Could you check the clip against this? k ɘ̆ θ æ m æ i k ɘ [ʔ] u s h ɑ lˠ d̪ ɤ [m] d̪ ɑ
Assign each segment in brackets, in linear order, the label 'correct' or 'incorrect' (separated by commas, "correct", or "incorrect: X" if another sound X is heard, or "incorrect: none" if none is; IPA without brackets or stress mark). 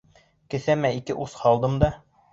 correct, correct